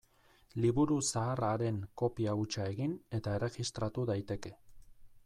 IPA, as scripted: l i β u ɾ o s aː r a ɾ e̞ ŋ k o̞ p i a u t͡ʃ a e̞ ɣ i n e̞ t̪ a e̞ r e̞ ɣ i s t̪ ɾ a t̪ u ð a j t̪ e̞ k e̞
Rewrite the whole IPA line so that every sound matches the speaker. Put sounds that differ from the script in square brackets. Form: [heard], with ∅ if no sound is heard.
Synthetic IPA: l i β u ɾ [u] s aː r a ɾ e̞ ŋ k o̞ p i a u t͡ʃ a e̞ ɣ i n e̞ t̪ a e̞ r e̞ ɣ i s t̪ ɾ a t̪ u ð a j t̪ e̞ k e̞